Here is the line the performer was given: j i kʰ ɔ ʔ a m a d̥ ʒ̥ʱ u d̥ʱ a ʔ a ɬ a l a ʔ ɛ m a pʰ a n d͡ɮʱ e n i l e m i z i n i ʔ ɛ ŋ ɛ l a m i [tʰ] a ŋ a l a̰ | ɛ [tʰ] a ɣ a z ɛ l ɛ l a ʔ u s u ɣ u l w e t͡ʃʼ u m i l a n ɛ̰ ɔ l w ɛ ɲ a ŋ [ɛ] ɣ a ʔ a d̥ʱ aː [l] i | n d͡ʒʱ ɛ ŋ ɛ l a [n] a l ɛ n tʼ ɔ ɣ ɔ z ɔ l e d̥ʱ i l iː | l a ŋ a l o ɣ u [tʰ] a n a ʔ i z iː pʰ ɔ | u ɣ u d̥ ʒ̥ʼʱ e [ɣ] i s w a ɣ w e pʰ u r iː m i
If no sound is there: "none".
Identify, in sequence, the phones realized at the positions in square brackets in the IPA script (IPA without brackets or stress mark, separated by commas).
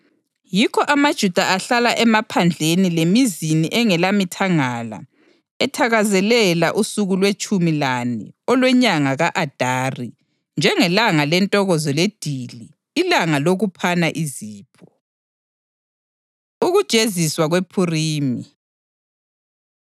tʰ, tʰ, a, r, ŋ, pʰ, z